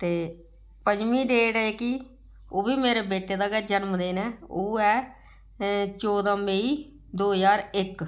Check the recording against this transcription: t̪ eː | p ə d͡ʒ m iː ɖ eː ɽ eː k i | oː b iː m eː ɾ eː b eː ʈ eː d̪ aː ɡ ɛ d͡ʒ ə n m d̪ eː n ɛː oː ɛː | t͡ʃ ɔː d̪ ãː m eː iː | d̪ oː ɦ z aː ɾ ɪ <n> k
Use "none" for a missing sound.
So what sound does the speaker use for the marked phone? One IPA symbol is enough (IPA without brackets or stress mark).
none